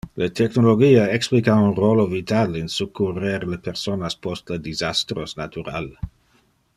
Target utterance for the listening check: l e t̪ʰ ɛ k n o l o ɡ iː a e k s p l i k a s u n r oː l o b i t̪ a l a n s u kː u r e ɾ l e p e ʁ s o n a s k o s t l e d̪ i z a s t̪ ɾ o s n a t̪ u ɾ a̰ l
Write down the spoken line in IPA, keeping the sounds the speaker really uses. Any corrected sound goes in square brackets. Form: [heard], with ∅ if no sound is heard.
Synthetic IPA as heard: l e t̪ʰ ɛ k n o l o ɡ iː a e k s p l i k a [∅] u n r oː l o [v] i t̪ a l [i] n s u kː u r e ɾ l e p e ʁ s o n a s [p] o s t l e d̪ i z a s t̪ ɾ o s n a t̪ u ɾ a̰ l